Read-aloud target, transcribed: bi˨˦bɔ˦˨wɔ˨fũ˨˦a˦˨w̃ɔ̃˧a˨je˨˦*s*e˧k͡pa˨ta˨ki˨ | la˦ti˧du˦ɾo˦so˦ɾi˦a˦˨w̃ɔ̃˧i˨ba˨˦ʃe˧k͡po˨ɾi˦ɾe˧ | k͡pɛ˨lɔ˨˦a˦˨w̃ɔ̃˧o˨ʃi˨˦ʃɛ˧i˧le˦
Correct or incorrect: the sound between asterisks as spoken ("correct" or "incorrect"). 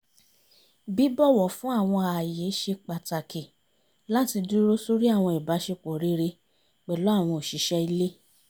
incorrect